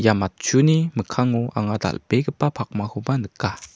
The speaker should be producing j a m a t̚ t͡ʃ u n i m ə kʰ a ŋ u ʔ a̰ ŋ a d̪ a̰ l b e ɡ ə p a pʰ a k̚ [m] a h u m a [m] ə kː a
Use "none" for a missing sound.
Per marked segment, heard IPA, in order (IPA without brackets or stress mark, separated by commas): m, n